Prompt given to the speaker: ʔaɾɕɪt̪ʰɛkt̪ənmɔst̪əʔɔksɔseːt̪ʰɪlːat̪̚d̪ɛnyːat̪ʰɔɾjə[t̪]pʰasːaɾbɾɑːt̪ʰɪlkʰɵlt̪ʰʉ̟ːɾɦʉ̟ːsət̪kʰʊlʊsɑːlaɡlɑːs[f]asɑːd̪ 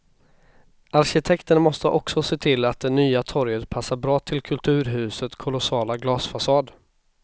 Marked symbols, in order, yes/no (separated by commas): yes, yes